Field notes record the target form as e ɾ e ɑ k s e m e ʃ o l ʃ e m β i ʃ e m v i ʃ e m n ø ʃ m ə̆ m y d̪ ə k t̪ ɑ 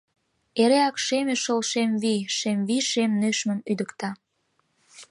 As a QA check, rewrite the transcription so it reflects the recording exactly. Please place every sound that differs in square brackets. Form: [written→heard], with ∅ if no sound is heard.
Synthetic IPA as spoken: e ɾ e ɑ k [s→ʃ] e m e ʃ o l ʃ e m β i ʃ e m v i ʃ e m n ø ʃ m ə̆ m y d̪ ə k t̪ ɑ